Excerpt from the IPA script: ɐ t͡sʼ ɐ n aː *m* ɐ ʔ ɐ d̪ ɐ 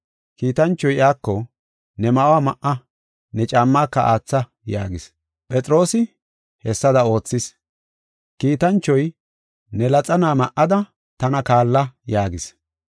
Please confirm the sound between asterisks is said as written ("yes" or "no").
yes